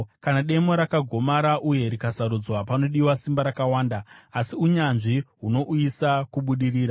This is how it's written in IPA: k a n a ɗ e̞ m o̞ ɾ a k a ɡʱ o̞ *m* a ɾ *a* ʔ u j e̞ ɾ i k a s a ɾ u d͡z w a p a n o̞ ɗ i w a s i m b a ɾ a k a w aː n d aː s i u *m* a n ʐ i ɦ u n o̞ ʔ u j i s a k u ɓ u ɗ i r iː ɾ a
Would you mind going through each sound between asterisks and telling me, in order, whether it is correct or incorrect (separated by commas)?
correct, correct, incorrect